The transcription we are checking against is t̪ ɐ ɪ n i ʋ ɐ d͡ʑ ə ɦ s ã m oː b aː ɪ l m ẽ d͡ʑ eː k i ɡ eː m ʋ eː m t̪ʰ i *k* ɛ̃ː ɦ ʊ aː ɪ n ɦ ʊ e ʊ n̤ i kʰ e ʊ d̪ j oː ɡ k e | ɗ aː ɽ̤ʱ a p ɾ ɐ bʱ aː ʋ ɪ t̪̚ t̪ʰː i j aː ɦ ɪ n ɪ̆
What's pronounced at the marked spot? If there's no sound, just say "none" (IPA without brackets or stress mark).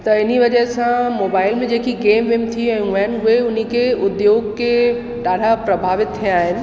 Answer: none